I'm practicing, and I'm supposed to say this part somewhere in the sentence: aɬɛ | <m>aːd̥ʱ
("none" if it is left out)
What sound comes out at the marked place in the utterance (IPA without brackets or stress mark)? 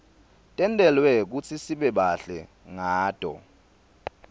ŋ